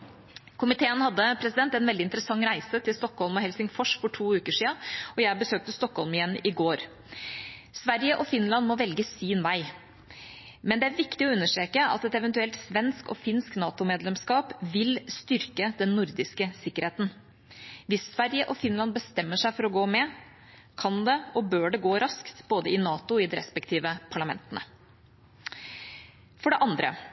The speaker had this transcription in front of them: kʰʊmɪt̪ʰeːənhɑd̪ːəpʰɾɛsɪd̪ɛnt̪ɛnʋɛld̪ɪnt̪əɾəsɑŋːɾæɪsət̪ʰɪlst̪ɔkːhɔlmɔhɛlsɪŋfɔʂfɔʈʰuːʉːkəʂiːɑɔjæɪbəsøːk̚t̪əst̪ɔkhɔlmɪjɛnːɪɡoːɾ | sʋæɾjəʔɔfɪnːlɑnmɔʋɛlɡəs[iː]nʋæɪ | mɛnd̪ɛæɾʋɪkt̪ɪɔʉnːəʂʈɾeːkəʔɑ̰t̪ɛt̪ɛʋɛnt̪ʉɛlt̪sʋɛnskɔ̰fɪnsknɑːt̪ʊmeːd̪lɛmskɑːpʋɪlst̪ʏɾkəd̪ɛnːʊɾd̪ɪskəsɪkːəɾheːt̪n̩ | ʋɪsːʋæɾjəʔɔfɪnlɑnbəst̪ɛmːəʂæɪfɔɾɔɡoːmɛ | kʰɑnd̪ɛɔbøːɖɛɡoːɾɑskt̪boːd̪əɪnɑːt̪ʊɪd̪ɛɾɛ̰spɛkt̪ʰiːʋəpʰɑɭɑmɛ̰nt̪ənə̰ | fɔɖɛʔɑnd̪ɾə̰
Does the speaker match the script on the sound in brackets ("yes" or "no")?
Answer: yes